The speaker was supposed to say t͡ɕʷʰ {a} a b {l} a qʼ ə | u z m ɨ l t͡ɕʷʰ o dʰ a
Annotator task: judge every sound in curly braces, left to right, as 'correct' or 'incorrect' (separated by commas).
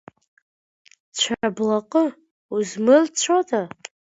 correct, correct